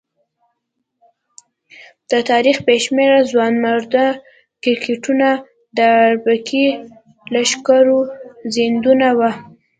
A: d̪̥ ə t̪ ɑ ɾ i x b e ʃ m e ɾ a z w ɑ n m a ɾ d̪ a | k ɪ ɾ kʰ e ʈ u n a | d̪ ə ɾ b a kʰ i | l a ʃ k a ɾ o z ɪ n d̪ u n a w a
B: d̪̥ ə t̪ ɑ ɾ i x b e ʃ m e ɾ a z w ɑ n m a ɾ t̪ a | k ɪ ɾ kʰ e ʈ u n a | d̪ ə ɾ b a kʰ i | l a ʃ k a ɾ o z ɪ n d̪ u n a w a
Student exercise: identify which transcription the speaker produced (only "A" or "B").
A